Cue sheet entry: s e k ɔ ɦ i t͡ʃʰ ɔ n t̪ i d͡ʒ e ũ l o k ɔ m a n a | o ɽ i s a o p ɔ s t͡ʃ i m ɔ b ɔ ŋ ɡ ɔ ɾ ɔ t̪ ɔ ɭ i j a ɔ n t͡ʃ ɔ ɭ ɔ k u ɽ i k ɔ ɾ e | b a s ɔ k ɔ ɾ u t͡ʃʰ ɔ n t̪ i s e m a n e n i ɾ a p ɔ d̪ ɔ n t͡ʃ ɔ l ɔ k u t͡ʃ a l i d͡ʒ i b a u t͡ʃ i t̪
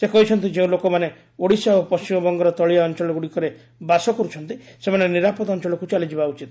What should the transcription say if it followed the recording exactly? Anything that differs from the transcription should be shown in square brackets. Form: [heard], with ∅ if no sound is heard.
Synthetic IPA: s e k ɔ ɦ i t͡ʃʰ ɔ n t̪ i d͡ʒ e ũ l o k ɔ m a n [e] | o ɽ i s a o p ɔ s t͡ʃ i m ɔ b ɔ ŋ ɡ ɔ ɾ ɔ t̪ ɔ ɭ i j a ɔ n t͡ʃ ɔ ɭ ɔ [ɡ] u ɽ i k ɔ ɾ e | b a s ɔ k ɔ ɾ u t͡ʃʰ ɔ n t̪ i s e m a n e n i ɾ a p ɔ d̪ ɔ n t͡ʃ ɔ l ɔ k u t͡ʃ a l i d͡ʒ i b a u t͡ʃ i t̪

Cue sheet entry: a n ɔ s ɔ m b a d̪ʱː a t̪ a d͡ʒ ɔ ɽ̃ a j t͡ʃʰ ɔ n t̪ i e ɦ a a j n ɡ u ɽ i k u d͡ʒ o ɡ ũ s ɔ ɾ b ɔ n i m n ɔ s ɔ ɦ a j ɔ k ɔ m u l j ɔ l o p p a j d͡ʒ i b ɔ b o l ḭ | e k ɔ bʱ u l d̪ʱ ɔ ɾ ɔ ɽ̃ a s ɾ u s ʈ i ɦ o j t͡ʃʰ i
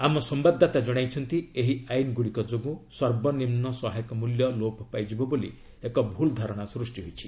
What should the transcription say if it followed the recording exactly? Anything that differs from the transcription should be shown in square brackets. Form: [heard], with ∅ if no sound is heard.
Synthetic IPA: a [m] ɔ s ɔ m b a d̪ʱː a t̪ a d͡ʒ ɔ ɽ̃ a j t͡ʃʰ ɔ n t̪ i e ɦ [i] a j n ɡ u ɽ i k [ɔ] d͡ʒ o ɡ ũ s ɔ ɾ b ɔ n i m n ɔ s ɔ ɦ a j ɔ k ɔ m u l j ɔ l o p p a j d͡ʒ i b ɔ b o l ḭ | e k ɔ bʱ u l d̪ʱ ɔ ɾ ɔ ɽ̃ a s ɾ u s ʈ i ɦ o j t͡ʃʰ i

